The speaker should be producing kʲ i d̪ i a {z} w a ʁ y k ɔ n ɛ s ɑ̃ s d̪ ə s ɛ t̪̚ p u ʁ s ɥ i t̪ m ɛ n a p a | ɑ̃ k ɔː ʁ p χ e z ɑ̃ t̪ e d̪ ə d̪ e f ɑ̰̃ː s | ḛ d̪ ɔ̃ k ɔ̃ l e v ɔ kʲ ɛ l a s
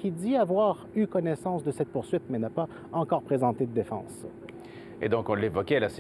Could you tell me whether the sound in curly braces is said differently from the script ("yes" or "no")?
yes